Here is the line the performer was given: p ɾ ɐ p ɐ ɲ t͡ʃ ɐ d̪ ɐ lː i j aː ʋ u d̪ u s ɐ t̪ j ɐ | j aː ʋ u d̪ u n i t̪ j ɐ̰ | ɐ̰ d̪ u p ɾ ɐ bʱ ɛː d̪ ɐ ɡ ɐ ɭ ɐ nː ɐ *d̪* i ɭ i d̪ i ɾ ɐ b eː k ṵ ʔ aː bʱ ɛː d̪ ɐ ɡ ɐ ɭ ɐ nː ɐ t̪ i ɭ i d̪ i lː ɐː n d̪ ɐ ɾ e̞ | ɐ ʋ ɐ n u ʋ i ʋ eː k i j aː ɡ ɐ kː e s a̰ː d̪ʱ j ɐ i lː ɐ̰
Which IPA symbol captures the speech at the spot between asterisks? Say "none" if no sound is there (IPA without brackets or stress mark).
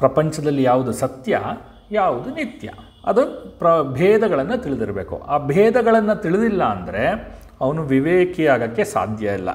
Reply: t̪